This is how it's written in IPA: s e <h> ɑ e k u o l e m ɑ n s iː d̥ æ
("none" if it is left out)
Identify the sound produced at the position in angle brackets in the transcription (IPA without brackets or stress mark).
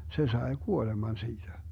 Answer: s